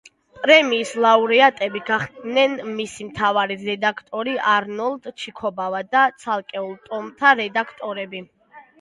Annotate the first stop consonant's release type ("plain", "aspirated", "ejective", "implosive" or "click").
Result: ejective